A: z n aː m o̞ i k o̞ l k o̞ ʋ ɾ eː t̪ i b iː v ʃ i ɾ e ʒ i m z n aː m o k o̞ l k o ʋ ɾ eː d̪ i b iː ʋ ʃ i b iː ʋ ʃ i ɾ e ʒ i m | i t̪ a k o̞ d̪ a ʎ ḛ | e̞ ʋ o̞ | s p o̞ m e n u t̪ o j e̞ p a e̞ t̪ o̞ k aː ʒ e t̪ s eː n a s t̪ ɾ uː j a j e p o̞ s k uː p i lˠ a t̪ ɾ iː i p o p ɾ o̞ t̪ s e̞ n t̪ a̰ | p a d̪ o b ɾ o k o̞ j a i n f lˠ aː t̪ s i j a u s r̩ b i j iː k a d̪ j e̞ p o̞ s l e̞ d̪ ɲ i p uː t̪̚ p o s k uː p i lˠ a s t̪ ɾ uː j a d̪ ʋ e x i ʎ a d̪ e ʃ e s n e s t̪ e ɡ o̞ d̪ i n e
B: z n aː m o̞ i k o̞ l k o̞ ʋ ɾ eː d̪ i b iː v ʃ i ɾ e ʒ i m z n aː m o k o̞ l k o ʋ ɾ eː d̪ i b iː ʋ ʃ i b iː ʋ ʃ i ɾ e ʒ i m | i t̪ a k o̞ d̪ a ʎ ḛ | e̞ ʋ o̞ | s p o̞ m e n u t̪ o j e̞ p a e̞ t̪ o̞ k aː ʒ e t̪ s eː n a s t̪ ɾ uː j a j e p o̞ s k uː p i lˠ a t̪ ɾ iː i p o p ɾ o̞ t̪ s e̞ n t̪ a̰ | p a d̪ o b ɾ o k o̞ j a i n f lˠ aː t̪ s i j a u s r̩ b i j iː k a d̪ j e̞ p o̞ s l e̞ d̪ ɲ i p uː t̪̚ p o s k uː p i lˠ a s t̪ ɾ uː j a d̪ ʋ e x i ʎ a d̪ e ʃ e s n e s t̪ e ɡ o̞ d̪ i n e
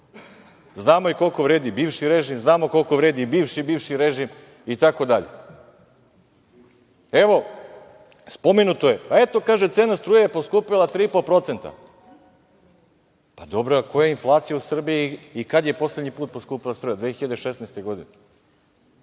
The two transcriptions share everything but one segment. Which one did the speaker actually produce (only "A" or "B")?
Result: B